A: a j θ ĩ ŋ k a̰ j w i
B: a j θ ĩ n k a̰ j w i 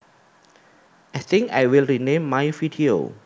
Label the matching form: A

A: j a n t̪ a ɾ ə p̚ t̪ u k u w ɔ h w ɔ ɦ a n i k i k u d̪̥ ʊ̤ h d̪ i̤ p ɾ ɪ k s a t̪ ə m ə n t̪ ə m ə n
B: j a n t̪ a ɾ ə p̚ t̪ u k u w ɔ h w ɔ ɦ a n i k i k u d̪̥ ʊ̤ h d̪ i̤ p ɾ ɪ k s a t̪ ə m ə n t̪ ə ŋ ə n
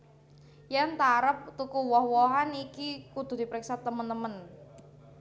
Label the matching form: A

